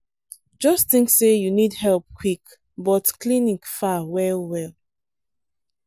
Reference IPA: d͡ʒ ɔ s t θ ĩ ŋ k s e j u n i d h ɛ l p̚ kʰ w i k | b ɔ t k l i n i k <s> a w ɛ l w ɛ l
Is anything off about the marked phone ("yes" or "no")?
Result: yes